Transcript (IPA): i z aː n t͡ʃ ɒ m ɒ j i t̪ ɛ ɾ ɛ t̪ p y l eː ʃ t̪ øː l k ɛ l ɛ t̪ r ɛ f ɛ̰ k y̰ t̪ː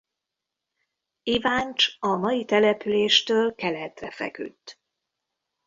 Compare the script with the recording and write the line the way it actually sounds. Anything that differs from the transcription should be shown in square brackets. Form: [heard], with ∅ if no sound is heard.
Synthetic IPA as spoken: i [v] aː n t͡ʃ ɒ m ɒ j i t̪ ɛ [l] ɛ [∅] p y l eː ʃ t̪ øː l k ɛ l ɛ t̪ r ɛ f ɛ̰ k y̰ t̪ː